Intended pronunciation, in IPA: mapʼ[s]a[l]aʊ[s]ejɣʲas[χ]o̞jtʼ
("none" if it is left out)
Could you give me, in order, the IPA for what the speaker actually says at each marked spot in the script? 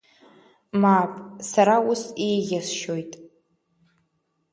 s, ɾ, s, ʃ

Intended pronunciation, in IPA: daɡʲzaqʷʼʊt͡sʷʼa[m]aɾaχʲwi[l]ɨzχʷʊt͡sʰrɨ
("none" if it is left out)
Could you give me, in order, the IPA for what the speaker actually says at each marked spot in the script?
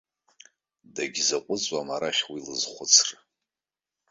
m, l

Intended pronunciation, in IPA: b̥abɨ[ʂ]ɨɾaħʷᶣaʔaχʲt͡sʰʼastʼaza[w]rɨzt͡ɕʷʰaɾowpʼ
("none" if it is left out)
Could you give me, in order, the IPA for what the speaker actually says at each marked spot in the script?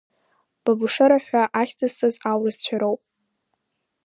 ʂ, w

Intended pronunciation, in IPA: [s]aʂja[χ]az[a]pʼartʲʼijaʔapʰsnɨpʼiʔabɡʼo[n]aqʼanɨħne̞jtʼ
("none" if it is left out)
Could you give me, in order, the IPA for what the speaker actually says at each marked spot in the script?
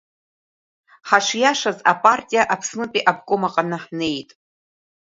ħ, ʂ, a, m

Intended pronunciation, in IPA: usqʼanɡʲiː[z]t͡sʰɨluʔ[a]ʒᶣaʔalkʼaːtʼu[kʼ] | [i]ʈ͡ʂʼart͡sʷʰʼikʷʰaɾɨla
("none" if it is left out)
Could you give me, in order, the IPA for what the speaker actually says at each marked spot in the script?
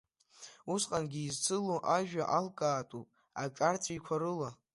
z, a, pʼ, a

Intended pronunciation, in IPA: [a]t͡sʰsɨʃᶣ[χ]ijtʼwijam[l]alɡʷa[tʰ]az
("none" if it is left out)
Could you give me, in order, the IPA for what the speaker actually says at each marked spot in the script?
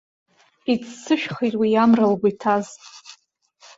i, χ, r, tʰ

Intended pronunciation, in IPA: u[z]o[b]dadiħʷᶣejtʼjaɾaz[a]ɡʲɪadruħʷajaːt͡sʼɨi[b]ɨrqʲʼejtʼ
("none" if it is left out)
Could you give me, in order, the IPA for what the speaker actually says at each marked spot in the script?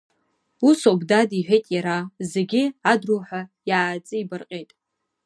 s, b, e, b

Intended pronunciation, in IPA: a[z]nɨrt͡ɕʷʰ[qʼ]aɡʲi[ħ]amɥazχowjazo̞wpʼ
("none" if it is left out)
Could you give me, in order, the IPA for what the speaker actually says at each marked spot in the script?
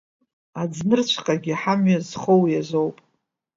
d͡z, qʼ, ħ

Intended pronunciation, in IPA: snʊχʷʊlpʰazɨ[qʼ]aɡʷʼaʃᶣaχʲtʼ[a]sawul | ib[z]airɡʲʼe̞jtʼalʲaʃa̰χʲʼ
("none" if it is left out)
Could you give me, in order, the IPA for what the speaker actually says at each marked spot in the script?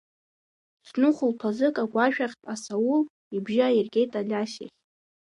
kʼ, a, ʒ

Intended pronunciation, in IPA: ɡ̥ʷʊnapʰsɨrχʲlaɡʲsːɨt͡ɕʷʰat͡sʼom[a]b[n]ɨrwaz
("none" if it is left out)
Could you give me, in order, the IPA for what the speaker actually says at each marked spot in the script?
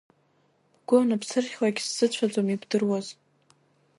i, d

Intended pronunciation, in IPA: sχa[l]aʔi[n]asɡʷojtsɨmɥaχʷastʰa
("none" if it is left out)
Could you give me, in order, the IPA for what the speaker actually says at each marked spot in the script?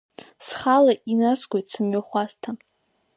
l, n

